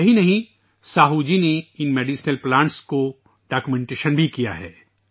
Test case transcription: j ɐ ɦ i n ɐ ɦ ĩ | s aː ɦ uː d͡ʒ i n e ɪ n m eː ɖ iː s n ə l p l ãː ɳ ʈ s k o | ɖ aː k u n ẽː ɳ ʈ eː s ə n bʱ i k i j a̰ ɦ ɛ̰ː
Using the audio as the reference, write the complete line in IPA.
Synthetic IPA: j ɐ ɦ i n ɐ ɦ ĩ | s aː ɦ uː d͡ʒ i n e ɪ n m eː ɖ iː s n ə l p l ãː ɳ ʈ s k o | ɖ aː k u m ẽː ɳ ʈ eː ʃ ə n bʱ i k i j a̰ ɦ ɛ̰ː

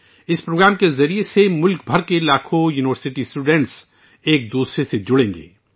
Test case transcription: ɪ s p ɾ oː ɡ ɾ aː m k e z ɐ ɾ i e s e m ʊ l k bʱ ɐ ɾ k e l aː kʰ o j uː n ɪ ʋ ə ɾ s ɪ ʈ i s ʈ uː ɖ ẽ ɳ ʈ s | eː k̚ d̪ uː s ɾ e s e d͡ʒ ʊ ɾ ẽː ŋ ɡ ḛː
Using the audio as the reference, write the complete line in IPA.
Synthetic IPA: ɪ s p ɾ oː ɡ ɾ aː m k e z ɐ ɾ i e s e m ʊ l k bʱ ɐ ɾ k e l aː kʰ o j uː n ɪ ʋ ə ɾ s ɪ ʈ i s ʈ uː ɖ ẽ ɳ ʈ s | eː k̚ d̪ uː s ɾ e s e d͡ʒ ʊ ɽ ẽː ŋ ɡ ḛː

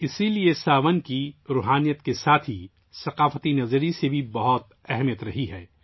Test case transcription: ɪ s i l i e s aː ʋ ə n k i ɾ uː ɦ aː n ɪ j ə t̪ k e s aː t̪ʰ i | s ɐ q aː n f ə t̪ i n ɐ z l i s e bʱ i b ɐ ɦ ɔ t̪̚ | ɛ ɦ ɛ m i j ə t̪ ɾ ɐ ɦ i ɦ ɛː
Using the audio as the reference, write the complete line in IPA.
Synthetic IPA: ɪ s i l i e s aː ʋ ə n k i ɾ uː ɦ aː n i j ə t̪ k e s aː t̪ʰ i | s ɐ q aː f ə t̪ i n ɐ z ɾ i s e bʱ i b ɐ ɦ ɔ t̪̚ | ɛ ɦ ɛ m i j ə t̪ ɾ ɐ ɦ i ɦ ɛː

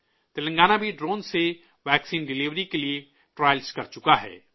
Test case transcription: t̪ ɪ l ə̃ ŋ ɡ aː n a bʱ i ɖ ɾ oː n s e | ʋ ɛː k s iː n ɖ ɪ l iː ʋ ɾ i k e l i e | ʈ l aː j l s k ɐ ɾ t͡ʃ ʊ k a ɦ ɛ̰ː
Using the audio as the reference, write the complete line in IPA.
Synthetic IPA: t̪ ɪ l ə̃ ŋ ɡ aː n a bʱ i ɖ ɾ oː n s e | ʋ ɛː k s iː n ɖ ɪ l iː ʋ ɾ i k e l i e | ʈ ɾ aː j l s k ɐ ɾ t͡ʃ ʊ k a ɦ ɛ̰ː

